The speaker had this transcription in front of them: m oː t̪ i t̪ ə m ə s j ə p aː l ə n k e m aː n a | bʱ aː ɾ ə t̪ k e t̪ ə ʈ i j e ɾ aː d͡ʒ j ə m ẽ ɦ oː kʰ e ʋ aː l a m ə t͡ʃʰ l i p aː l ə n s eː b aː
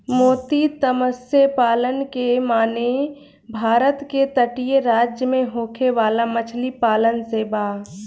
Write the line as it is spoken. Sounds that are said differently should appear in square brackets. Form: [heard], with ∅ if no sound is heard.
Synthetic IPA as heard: m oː t̪ i t̪ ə m ə s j ə p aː l ə n k e m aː n [e] | bʱ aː ɾ ə t̪ k e t̪ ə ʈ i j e ɾ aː d͡ʒ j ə m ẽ ɦ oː kʰ e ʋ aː l a m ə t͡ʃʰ l i p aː l ə n s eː b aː